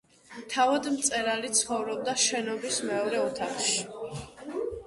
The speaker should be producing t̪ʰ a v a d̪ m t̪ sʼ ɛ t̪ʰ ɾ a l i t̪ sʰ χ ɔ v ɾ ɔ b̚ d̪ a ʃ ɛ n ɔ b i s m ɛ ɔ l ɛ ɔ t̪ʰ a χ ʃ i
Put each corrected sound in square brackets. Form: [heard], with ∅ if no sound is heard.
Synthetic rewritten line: t̪ʰ a v a d̪ m t̪ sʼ ɛ [∅] ɾ a l i t̪ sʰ χ ɔ v ɾ ɔ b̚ d̪ a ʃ ɛ n ɔ b i s m ɛ ɔ [ɾ] ɛ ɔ t̪ʰ a χ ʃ i